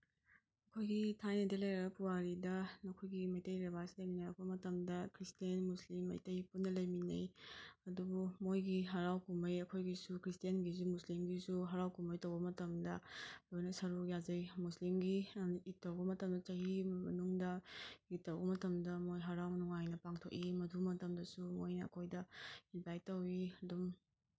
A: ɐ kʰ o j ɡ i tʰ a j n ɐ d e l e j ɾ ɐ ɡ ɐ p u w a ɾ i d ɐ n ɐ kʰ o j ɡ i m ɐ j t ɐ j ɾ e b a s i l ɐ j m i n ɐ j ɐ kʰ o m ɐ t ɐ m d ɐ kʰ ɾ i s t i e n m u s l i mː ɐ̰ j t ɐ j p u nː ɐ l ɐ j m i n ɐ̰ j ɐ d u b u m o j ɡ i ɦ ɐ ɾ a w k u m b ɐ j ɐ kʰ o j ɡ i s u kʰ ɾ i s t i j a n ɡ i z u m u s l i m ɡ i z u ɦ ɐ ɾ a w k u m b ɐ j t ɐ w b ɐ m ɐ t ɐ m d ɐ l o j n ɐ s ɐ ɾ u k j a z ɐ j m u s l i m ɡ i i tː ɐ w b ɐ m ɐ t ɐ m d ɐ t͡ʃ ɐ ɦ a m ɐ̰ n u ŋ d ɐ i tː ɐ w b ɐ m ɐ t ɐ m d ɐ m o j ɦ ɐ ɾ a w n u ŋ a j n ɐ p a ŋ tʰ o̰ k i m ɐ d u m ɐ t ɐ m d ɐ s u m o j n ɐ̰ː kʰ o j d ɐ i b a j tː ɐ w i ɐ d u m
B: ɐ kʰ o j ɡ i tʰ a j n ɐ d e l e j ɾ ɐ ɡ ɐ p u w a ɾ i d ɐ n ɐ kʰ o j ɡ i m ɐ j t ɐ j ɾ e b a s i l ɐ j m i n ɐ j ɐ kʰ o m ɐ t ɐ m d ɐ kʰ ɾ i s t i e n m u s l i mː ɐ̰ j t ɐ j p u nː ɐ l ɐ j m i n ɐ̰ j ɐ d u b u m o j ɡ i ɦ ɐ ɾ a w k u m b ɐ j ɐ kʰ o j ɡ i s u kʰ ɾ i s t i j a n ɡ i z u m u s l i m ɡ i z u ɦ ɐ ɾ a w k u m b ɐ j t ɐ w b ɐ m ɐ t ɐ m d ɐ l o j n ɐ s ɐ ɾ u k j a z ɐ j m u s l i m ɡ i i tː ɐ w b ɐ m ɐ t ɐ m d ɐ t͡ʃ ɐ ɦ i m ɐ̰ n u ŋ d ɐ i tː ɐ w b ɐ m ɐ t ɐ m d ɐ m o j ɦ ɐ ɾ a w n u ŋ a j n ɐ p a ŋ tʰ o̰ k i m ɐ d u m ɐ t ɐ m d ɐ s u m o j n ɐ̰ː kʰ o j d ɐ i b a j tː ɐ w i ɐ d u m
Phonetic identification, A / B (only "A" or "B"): B